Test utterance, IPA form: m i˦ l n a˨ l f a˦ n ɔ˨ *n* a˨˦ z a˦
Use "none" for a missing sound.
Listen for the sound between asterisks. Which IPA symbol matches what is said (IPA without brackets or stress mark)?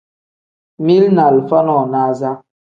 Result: n